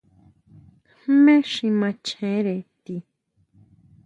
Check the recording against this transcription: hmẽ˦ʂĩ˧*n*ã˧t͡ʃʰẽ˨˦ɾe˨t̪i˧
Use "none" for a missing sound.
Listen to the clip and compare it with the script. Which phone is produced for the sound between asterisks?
m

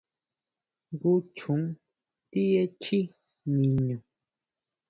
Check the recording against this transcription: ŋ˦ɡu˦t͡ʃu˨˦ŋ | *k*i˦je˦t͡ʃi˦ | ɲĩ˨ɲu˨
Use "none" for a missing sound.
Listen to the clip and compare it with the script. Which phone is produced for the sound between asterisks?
t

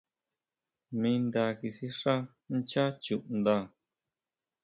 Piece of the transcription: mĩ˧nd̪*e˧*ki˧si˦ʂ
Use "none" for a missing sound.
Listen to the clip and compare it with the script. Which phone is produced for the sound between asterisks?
a˧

